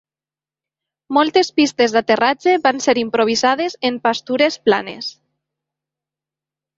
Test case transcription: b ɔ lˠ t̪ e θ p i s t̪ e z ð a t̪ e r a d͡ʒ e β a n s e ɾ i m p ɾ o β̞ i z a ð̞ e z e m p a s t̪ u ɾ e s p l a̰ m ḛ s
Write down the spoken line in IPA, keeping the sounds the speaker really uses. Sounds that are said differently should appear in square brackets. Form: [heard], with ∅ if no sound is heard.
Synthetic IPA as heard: [m] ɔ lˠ t̪ e [s] p i s t̪ e z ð a t̪ e r a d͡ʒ e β a n s e ɾ i m p ɾ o β̞ i z a ð̞ e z e m p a s t̪ u ɾ e s p l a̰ [n] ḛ s